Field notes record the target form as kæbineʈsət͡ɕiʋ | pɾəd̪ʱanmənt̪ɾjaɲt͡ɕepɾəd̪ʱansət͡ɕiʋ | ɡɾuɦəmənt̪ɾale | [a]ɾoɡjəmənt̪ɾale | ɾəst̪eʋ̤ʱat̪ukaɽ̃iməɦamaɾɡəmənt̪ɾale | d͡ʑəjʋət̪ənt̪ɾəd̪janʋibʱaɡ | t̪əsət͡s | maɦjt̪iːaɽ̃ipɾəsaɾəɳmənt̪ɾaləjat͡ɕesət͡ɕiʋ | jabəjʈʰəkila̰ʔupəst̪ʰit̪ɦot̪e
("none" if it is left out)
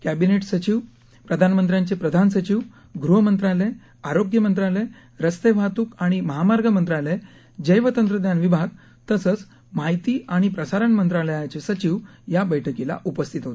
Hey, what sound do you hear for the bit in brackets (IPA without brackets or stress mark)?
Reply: a